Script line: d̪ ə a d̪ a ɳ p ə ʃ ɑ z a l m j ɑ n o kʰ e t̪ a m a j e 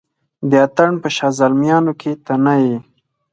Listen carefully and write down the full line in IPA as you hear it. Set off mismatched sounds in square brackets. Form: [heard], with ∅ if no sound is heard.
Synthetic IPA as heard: d̪ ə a [t̪] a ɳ p ə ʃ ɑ z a l m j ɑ n o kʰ e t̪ a [n] a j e